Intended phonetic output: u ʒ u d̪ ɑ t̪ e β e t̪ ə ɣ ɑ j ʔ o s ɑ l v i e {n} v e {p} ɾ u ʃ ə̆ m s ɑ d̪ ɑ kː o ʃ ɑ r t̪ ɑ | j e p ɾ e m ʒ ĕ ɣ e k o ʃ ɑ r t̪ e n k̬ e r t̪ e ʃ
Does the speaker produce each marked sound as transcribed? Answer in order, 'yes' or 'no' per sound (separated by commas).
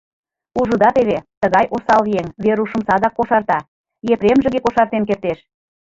no, no